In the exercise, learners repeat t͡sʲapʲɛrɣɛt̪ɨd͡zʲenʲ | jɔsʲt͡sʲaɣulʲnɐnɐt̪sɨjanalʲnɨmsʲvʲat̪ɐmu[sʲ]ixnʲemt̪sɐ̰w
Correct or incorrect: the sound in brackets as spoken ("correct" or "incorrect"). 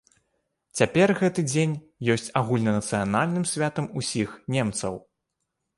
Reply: correct